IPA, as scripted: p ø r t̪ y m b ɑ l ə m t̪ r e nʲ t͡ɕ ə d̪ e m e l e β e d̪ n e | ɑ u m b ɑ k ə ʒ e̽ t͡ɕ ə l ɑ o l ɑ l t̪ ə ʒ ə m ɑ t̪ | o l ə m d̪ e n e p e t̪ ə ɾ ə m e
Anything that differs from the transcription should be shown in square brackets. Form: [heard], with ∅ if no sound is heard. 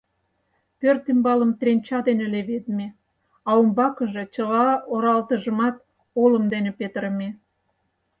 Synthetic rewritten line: p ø r t̪ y m b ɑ l ə m t̪ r e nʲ t͡ɕ [ɑ] d̪ e [n] e l e β e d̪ [m] e | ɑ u m b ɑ k ə ʒ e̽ t͡ɕ ə l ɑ o [ɾ] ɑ l t̪ ə ʒ ə m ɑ t̪ | o l ə m d̪ e n e p e t̪ ə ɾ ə m e